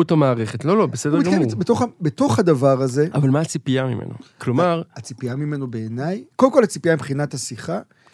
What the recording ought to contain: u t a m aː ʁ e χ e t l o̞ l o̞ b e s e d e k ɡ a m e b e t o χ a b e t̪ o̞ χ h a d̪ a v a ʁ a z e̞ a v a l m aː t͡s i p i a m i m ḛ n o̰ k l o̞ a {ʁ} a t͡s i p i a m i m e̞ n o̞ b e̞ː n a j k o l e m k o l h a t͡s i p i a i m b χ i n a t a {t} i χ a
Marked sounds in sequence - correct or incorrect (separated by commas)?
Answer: correct, incorrect